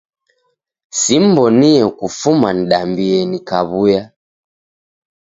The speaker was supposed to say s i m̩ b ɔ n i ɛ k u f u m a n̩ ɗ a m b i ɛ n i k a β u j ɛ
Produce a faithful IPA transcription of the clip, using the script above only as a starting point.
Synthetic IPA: s i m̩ b ɔ n i ɛ k u f u m a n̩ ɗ a m b i ɛ n i k a β u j a